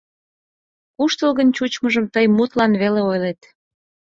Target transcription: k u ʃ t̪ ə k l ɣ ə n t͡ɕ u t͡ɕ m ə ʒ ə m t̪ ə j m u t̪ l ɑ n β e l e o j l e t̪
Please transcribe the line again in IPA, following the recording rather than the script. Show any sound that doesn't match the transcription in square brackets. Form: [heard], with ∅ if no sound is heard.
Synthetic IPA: k u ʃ t̪ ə [∅] l ɣ ə n t͡ɕ u t͡ɕ m ə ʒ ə m t̪ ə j m u t̪ l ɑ n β e l e o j l e t̪